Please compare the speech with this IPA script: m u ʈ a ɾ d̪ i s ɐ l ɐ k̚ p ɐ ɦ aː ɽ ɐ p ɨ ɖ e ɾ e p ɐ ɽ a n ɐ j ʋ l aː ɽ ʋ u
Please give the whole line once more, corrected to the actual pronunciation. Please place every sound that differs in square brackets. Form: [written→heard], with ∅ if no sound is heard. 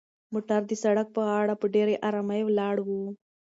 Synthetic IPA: m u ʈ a ɾ d̪ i s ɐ [l→ɽ] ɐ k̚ p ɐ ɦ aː ɽ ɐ p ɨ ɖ e ɾ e [p→ʔ] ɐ [ɽ→ɾ] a [n→m] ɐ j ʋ l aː ɽ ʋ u

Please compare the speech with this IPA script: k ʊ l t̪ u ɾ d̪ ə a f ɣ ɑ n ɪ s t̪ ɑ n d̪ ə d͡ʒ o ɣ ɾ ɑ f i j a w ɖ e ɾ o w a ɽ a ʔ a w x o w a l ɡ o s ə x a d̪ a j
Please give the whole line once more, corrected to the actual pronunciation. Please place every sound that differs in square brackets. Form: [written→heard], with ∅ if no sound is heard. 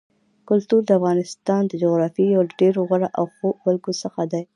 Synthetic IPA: k ʊ l t̪ u ɾ d̪ ə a f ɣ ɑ n ɪ s t̪ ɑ n d̪ ə d͡ʒ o ɣ ɾ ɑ f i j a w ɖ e ɾ o [w→ɣ] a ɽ a ʔ a w x o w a l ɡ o s ə x a d̪ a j

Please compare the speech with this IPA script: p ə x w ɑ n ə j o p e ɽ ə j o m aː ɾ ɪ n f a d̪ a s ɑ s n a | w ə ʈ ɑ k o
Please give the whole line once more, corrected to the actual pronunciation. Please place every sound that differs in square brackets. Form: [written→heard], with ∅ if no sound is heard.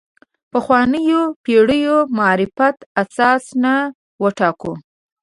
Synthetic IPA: p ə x w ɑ n ə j o p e ɽ ə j o m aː ɾ ɪ [n→∅] f a [d̪→t̪] a s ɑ s n a | w ə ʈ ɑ k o

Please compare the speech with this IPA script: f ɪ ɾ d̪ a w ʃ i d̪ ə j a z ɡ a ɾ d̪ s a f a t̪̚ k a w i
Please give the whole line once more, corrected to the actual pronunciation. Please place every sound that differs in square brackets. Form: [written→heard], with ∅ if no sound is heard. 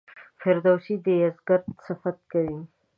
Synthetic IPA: f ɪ ɾ d̪ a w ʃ i d̪ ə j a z ɡ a ɾ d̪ s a f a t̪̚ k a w i

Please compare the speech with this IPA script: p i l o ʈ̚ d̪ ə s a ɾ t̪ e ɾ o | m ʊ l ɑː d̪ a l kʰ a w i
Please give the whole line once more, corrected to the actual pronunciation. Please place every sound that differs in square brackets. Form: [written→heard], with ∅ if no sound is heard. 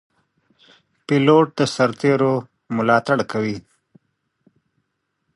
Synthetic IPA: p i l o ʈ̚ d̪ ə s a ɾ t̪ e ɾ o | m ʊ l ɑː [d̪→t̪] a [l→ɽ] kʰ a w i

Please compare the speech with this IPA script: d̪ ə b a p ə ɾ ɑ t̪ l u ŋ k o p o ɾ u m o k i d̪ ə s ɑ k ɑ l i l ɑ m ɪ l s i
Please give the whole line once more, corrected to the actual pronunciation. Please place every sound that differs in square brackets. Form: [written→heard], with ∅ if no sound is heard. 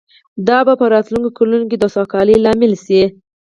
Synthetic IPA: d̪ [ə→ɑ] b a p ə ɾ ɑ t̪ l u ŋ k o [p→k] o [ɾ→l] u [m→n] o k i d̪ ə s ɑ k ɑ l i l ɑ m ɪ l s i

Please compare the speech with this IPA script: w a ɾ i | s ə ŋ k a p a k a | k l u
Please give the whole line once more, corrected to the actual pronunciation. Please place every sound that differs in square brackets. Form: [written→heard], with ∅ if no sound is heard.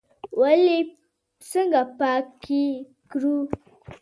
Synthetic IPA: w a [ɾ→l] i | s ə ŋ [k→ɡ] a p a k [a→i] | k [l→ɾ] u

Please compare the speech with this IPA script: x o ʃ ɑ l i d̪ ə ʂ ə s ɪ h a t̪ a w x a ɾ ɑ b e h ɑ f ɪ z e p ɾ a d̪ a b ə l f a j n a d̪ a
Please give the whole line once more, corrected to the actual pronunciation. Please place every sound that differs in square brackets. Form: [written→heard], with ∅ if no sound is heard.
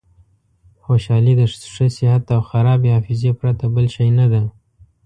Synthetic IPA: x o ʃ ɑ l i d̪ ə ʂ ə s ɪ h a t̪ a w x a ɾ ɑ b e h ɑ f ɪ z e p ɾ a [d̪→t̪] a b ə l [f→ʃ] a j n a d̪ a

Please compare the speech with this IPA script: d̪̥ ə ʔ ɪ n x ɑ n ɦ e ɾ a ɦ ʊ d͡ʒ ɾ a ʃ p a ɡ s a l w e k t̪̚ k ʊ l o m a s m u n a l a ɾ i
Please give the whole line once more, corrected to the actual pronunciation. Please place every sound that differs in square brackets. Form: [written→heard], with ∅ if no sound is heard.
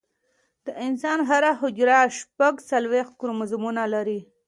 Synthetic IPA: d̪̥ ə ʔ ɪ n [x→s] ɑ n ɦ [e→a] ɾ a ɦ ʊ d͡ʒ ɾ a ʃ p a ɡ s a l w e [k→x] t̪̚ k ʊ [l→ɾ] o m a [s→z] m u n a l a ɾ i

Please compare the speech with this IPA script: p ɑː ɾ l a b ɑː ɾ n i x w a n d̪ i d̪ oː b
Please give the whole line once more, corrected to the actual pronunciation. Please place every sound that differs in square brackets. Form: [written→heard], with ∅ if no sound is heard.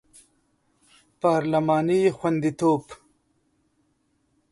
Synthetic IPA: p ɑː ɾ l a [b→m] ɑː [ɾ→∅] n i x w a n d̪ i [d̪→t̪] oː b

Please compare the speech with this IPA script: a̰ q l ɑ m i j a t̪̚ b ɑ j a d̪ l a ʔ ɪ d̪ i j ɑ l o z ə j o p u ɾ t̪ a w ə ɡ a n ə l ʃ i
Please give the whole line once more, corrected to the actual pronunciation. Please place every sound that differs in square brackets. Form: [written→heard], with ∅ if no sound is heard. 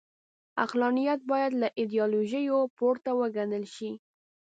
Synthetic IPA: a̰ q l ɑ [m→n] i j a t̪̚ b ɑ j a d̪ l a ʔ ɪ d̪ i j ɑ l o [z→ʒ] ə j o p [u→o] ɾ t̪ a w ə ɡ a n ə l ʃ i

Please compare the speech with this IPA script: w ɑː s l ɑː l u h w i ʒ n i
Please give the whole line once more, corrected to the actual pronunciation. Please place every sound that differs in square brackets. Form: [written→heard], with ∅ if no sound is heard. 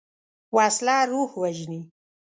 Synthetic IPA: w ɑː s l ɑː [l→ɾ] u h w [i→a] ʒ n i

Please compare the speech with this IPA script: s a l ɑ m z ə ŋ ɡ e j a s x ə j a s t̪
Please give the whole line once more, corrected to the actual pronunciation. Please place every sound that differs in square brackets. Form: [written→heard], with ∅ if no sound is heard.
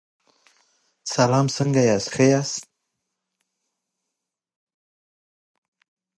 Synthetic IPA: s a l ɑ m [z→s] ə ŋ ɡ [e→a] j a s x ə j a s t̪

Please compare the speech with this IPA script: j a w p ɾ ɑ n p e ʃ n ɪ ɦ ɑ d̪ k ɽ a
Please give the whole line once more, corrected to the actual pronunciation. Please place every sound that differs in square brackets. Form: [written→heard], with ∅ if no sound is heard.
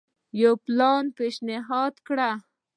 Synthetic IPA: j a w p [ɾ→l] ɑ n p e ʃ n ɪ ɦ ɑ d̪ k ɽ a

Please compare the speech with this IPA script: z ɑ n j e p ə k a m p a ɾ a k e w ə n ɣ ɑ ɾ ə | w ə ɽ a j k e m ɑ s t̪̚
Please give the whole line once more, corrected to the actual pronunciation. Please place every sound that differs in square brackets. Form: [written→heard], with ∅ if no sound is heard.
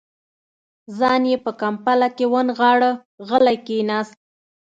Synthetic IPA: z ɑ n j e p ə k a m p a [ɾ→l] a k e w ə n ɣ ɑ [ɾ→ɽ] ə | [w→ɣ] ə [ɽ→l] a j k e [m→n] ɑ s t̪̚

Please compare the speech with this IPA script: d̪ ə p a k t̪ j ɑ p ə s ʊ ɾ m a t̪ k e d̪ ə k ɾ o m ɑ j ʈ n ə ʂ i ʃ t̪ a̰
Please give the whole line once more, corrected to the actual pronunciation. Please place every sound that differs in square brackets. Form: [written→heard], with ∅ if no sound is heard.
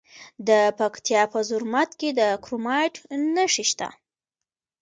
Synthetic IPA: d̪ ə p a k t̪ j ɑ p ə [s→z] ʊ ɾ m a t̪ k e d̪ ə k ɾ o m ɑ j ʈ n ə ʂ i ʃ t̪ a̰

